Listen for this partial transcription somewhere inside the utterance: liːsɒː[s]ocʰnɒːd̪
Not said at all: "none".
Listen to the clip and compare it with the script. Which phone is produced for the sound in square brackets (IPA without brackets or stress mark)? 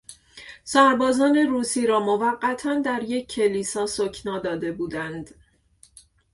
s